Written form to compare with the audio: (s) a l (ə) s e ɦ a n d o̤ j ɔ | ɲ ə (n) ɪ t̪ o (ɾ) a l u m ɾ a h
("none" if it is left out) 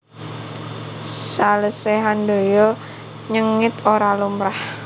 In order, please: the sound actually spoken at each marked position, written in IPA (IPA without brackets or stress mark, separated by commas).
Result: s, ə, ŋ, ɾ